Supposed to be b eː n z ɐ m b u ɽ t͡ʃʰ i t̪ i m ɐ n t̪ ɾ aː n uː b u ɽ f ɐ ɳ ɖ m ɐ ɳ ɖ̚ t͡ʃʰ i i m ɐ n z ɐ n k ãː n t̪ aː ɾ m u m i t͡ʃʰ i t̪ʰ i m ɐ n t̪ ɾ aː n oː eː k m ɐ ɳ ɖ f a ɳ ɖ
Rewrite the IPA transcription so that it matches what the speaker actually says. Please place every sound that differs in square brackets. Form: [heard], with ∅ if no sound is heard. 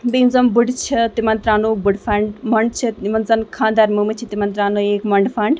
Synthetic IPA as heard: b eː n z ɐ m b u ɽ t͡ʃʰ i t̪ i m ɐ n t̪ ɾ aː n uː b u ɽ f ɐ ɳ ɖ m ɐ ɳ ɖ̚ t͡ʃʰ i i m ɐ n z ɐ n [kʰ] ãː n [d̪] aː ɾ m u m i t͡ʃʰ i [t̪] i m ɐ n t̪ ɾ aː n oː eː k m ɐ ɳ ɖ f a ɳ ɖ